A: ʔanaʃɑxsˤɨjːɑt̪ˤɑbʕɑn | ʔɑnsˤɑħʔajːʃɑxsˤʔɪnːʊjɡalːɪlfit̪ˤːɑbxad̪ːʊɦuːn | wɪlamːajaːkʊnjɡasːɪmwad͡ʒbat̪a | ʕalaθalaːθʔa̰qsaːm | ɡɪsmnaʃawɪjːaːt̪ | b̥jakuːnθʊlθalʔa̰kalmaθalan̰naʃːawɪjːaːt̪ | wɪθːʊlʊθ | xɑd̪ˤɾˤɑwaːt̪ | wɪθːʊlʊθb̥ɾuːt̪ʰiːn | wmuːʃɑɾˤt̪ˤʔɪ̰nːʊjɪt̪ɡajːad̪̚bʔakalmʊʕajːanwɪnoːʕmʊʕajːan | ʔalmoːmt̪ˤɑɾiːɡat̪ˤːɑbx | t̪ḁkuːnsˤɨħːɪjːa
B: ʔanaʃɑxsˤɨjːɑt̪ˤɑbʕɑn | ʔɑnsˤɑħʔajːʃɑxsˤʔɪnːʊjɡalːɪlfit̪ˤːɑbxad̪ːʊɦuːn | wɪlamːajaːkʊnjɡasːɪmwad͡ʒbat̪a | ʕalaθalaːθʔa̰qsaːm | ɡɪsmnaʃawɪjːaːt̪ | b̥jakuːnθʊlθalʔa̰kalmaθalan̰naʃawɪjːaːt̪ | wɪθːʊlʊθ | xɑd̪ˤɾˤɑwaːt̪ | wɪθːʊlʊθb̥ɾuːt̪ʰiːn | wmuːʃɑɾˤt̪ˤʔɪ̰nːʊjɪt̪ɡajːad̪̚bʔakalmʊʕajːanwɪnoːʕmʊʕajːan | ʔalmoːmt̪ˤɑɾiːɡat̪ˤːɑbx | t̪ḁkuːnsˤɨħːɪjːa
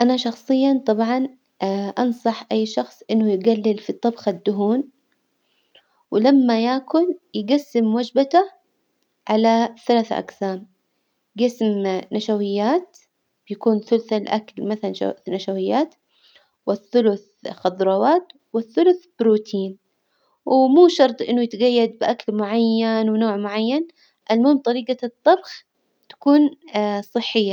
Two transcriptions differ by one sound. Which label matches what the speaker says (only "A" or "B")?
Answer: B